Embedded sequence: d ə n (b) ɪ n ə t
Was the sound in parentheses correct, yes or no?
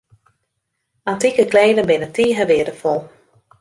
yes